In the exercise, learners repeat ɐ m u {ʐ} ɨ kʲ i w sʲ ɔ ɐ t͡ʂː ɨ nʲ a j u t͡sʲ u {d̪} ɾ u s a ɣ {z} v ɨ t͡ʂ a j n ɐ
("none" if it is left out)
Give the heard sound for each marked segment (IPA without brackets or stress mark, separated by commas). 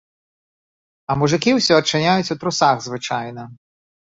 ʐ, t̪, z